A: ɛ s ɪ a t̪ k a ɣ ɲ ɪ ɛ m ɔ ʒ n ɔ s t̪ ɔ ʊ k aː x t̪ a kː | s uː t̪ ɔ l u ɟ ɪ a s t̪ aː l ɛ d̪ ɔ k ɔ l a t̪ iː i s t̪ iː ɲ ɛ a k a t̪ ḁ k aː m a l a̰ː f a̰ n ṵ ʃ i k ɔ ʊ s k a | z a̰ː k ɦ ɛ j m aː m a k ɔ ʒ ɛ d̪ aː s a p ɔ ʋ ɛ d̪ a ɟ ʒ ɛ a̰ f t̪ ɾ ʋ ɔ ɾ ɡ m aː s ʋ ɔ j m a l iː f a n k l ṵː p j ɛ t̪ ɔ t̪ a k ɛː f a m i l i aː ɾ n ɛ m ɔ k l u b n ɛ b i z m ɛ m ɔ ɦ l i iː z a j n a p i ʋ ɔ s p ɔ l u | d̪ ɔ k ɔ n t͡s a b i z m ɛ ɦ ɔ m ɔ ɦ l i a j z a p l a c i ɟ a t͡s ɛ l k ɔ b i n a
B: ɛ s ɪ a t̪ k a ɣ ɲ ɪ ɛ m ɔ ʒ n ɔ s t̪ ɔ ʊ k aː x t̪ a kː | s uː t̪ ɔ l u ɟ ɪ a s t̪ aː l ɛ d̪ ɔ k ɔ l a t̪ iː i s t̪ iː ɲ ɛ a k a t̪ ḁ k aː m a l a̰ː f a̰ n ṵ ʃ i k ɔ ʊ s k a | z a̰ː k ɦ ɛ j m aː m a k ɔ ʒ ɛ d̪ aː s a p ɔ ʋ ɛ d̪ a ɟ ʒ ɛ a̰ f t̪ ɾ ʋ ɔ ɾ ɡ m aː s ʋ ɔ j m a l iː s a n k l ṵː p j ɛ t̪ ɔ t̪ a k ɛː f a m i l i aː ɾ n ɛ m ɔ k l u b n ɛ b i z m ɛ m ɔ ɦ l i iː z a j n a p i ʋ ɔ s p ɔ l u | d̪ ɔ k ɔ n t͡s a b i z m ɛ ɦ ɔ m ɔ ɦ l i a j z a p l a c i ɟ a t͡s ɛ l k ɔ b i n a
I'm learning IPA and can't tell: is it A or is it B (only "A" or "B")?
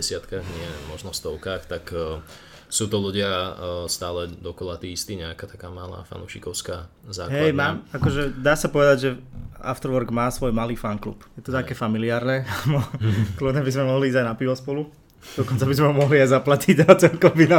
A